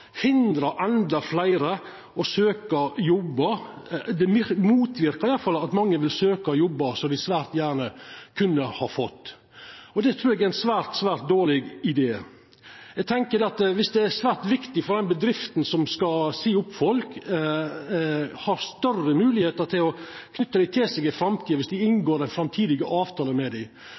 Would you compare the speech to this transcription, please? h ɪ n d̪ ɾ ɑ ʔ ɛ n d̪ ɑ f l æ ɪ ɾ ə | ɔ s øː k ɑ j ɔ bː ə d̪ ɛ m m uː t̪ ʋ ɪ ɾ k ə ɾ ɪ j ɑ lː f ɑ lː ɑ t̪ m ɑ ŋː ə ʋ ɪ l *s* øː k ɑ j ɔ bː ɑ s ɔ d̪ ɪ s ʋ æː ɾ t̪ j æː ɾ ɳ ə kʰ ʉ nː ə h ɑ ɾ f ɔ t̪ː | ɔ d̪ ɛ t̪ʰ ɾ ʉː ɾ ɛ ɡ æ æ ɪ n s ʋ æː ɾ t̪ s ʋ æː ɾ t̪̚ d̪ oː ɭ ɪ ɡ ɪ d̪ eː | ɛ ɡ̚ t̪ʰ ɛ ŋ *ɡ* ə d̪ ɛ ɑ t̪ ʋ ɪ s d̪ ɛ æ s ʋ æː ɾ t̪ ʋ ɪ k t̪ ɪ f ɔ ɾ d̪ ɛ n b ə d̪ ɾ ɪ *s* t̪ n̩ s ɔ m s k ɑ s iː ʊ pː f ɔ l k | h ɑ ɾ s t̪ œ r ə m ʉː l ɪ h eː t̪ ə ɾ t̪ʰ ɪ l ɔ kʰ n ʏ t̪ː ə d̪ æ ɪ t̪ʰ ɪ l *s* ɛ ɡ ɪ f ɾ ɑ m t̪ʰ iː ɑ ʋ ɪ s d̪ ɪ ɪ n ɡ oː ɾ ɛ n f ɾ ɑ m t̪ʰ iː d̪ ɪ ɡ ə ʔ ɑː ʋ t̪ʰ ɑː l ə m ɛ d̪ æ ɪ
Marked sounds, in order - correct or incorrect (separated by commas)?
correct, incorrect, incorrect, correct